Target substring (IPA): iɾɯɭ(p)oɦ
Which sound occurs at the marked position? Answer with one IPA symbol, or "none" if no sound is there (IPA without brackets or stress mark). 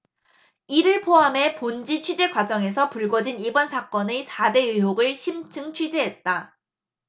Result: pʰ